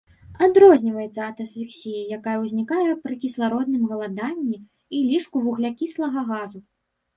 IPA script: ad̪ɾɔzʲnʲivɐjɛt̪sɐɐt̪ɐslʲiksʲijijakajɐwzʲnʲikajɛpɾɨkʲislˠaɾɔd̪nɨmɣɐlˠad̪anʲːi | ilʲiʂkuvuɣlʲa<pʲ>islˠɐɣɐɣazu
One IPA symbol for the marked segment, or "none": kʲ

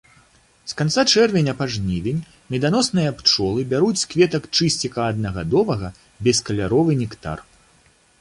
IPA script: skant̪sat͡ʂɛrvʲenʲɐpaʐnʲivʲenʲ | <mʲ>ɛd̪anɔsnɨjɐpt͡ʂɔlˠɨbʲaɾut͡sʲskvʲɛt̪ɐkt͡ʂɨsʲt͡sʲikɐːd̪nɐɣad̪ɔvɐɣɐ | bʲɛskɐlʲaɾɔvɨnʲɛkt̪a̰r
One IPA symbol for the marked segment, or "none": mʲ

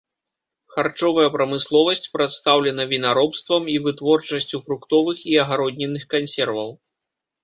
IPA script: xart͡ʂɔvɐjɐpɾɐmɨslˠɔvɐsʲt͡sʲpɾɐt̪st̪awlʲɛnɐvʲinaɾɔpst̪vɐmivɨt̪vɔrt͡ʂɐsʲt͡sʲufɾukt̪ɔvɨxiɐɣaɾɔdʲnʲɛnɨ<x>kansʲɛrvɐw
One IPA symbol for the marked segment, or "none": x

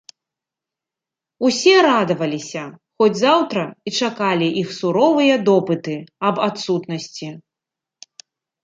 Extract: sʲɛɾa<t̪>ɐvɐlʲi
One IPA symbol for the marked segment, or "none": d̪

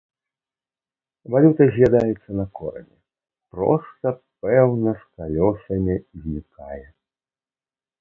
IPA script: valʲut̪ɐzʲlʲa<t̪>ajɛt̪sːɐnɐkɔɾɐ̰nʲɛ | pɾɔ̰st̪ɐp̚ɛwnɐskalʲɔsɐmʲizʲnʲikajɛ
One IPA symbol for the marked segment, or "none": d̪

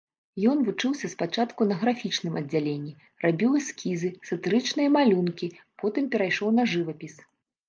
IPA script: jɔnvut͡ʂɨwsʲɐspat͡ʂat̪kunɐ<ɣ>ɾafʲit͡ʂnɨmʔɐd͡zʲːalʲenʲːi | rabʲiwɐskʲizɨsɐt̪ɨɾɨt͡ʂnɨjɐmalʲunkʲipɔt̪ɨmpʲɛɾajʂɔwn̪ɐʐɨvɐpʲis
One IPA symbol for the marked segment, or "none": ɣ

